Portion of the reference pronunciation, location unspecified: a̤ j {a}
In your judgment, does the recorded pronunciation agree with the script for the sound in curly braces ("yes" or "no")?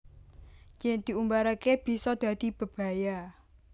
yes